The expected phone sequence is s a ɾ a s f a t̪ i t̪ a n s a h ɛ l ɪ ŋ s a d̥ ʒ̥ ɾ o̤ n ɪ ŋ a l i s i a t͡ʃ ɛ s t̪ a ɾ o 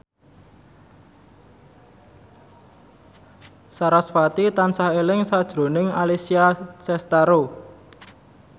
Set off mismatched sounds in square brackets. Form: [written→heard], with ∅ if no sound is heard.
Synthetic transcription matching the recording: s a ɾ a s f a t̪ i t̪ a n s a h [ɛ→e] l ɪ ŋ s a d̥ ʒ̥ ɾ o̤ n ɪ ŋ a l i s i a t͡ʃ ɛ s t̪ a ɾ o